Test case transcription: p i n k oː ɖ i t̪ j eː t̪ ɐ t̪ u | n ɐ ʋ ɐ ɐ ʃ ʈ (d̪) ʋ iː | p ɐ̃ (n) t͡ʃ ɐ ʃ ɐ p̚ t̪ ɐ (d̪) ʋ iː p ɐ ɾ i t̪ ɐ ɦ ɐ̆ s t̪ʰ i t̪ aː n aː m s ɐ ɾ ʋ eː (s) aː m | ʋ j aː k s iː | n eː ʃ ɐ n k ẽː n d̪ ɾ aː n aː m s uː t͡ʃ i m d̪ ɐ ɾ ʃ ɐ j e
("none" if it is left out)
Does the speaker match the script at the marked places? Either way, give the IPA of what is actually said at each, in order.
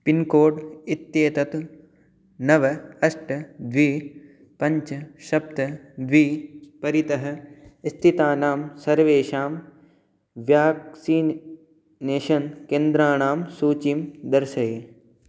d̪, ɲ, d̪, ʃ

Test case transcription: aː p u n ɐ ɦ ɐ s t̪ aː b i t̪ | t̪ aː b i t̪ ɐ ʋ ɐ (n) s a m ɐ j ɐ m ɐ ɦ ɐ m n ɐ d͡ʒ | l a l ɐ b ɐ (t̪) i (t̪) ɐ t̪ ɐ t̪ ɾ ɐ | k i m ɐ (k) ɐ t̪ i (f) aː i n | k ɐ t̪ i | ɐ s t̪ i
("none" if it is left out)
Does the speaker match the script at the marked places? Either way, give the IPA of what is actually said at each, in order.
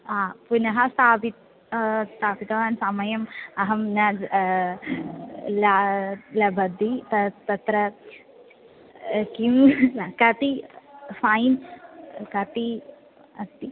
n, d̪, t̪, k, f

